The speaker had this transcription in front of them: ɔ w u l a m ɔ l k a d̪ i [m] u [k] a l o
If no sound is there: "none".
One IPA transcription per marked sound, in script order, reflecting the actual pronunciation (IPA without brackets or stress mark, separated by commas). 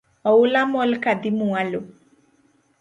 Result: m, none